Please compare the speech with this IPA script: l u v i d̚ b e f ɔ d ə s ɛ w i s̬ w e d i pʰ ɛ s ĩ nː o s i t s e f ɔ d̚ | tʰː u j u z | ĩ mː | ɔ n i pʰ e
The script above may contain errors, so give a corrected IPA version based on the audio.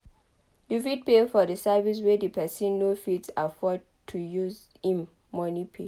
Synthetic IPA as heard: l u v i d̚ p e f ɔ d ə s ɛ v i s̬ w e d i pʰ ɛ s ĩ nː o f i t s a f ɔ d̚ | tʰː u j u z | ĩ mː | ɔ n i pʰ e